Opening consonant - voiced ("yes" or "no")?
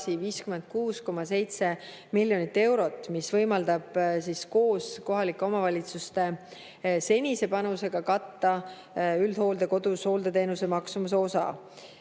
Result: no